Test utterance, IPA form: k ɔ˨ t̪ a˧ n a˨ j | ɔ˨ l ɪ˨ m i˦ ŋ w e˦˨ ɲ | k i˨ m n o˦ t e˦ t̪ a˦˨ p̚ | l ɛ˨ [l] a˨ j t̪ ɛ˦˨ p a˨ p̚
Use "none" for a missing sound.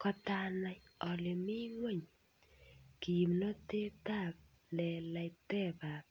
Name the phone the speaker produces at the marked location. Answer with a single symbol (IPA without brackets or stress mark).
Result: l